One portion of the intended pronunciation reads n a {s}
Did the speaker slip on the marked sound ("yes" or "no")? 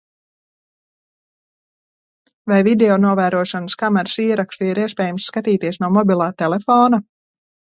yes